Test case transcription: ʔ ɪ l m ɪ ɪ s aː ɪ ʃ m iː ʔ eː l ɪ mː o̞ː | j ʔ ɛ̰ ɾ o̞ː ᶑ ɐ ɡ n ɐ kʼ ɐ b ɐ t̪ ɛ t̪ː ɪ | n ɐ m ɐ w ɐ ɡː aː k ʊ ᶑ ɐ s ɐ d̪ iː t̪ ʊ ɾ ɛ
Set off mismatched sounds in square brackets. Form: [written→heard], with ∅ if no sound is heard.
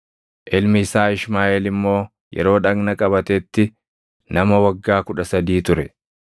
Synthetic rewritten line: ʔ ɪ l m ɪ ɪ s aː ɪ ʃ m [iː→aː] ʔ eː l ɪ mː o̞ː | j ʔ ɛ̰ ɾ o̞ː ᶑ ɐ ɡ n ɐ kʼ ɐ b ɐ t̪ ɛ t̪ː ɪ | n ɐ m ɐ w ɐ ɡː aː k ʊ ᶑ ɐ s ɐ d̪ iː t̪ ʊ ɾ ɛ